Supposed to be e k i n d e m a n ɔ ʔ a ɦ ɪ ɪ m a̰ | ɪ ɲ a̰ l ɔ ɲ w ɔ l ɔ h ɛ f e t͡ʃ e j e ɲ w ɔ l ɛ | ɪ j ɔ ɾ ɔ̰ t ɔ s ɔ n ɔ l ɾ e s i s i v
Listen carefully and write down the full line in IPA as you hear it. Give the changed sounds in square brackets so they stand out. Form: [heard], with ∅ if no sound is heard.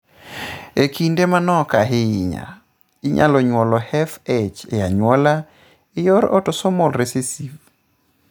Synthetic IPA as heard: e k i n d e m a n ɔ [k] a ɦ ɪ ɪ [ɲ] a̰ | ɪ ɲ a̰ l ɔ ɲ w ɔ l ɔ h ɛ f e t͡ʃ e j [a] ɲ w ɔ l [a] | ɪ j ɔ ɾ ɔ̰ t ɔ s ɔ [m] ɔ l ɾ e s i s i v